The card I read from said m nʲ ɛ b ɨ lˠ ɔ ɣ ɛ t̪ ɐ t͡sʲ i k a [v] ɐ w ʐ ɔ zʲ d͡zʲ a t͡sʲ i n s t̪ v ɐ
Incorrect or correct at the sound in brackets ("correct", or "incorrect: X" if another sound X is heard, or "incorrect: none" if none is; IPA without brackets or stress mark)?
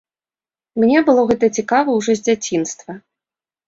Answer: correct